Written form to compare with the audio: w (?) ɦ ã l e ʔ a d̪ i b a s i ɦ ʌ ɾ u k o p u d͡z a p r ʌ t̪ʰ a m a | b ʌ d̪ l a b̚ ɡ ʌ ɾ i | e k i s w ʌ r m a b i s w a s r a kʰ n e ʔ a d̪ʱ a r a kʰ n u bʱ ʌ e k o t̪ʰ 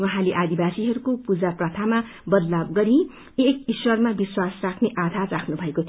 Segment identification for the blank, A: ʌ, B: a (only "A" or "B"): A